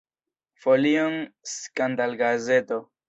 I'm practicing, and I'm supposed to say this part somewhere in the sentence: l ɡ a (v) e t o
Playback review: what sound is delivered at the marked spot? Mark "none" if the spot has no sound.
z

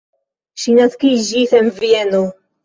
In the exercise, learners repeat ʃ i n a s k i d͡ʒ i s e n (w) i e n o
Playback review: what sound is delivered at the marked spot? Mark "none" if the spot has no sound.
v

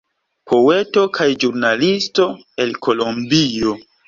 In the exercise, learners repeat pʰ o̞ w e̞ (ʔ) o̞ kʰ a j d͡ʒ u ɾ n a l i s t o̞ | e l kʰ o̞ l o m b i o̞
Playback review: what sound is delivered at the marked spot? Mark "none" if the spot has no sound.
t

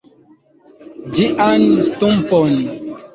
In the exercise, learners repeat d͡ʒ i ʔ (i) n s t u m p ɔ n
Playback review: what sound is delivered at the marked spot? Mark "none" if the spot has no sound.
a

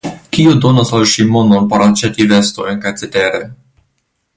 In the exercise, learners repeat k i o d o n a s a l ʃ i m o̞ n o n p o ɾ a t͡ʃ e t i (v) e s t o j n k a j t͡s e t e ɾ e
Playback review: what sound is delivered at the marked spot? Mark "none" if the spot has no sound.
v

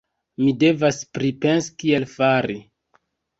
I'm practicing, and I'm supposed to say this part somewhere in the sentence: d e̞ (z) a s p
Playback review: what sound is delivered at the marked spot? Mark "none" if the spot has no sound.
v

